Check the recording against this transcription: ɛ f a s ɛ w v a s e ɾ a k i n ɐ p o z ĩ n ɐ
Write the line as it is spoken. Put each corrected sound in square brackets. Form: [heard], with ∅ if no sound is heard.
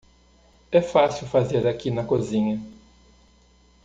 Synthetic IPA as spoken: ɛ f a s [i] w [f] a [z] e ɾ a k i n ɐ [k] o z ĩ [ɲ] ɐ